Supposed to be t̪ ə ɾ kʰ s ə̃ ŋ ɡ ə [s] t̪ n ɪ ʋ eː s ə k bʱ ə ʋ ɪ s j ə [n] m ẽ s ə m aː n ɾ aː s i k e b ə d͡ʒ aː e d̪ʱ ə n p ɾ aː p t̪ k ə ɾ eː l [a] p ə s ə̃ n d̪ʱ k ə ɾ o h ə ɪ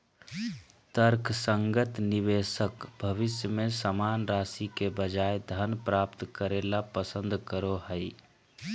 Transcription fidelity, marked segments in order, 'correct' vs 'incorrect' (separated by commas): incorrect, incorrect, correct